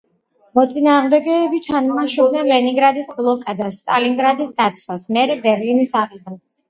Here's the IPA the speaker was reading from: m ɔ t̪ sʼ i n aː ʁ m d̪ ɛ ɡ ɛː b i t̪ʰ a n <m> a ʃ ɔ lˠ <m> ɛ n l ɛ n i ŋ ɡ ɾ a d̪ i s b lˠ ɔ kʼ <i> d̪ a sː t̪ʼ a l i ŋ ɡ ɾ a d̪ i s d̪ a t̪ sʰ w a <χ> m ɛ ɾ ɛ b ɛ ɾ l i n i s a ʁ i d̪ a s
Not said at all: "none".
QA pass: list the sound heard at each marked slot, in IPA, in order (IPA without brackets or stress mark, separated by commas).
m, n, a, s